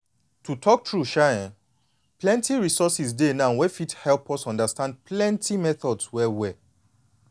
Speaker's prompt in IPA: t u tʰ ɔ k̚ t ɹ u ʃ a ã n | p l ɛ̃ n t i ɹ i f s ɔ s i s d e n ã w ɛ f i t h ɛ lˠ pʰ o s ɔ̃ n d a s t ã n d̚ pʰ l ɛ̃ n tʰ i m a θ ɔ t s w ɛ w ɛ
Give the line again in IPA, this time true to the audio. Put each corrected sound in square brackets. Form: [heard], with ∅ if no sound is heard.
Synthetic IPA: t u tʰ ɔ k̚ t ɹ u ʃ a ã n | p l ɛ̃ n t i ɹ i [∅] s ɔ s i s d e n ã w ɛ f i t h ɛ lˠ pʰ [ɔ] s ɔ̃ n d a s t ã n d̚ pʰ l ɛ̃ n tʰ i m [ɛ] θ ɔ [d] s w ɛ w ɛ